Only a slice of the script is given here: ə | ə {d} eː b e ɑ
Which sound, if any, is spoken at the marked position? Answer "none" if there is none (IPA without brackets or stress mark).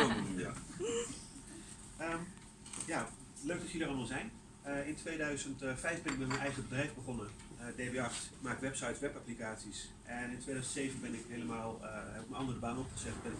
d